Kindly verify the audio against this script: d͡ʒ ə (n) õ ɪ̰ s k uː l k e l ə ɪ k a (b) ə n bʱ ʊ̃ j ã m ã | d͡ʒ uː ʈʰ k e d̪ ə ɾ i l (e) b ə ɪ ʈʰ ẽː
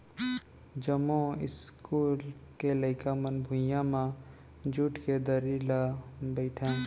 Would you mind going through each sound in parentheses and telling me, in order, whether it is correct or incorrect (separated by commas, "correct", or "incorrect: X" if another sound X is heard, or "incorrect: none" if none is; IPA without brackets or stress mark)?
incorrect: m, incorrect: m, incorrect: a